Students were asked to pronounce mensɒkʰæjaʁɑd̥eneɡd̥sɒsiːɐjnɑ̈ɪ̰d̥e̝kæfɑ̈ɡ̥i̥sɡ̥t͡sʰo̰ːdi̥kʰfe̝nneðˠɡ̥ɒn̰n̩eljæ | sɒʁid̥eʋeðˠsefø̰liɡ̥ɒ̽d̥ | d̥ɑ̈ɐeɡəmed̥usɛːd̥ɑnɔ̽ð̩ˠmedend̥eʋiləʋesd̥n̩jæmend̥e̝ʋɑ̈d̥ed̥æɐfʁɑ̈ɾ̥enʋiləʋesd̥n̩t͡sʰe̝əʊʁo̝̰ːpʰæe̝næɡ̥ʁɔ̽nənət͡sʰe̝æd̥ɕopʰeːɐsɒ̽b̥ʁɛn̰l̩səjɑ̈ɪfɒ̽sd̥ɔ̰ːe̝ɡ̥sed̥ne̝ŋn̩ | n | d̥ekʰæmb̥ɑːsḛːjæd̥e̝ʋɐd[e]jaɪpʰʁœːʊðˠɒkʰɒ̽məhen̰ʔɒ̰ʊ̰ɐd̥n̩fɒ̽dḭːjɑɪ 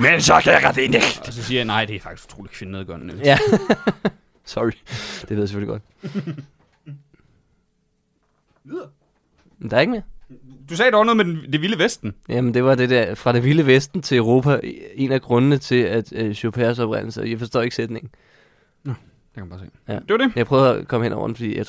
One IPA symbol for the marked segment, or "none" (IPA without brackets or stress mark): e